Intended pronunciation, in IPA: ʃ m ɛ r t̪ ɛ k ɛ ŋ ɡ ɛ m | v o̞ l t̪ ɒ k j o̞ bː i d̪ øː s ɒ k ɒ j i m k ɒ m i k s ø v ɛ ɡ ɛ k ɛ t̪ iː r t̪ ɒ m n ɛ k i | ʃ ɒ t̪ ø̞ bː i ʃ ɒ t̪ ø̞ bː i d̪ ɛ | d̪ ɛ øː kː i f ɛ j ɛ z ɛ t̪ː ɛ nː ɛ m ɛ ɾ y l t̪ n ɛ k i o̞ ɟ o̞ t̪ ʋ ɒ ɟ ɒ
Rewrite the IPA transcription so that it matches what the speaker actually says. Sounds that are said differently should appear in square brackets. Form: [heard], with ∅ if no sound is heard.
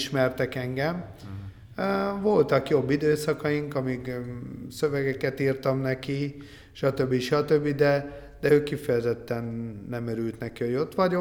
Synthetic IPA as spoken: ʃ m ɛ r t̪ ɛ k ɛ ŋ ɡ ɛ m | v o̞ l t̪ ɒ k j o̞ bː i d̪ øː s ɒ k ɒ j i [ŋ] k ɒ m i k s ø v ɛ ɡ ɛ k ɛ t̪ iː r t̪ ɒ m n ɛ k i | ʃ ɒ t̪ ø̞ bː i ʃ ɒ t̪ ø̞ bː i d̪ ɛ | d̪ ɛ øː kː i f ɛ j ɛ z ɛ t̪ː ɛ nː ɛ m ɛ ɾ y l t̪ n ɛ k i o̞ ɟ o̞ t̪ ʋ ɒ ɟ [o]